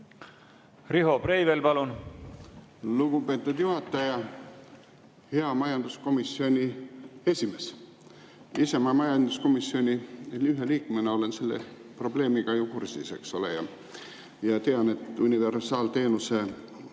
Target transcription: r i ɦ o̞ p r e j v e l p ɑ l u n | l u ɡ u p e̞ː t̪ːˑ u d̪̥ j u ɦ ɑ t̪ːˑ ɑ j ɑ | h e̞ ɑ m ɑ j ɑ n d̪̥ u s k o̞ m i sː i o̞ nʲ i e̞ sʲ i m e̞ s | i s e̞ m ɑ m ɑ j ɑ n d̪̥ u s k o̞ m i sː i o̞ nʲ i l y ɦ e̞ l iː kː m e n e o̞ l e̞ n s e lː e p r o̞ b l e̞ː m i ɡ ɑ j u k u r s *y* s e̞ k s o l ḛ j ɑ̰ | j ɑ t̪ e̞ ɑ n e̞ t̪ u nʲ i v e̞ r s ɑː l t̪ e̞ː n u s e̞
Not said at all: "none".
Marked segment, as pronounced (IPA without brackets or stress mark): i